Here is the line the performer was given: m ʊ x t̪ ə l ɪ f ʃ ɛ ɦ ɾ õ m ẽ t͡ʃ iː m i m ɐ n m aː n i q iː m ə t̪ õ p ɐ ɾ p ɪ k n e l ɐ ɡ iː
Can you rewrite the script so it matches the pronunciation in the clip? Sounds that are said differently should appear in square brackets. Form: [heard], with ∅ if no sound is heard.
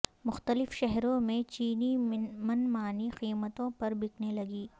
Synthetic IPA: m ʊ x t̪ ə l ɪ f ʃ ɛ ɦ ɾ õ m ẽ t͡ʃ iː [n] i m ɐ n m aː n i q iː m ə t̪ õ p ɐ ɾ [b] ɪ k n e l ɐ ɡ iː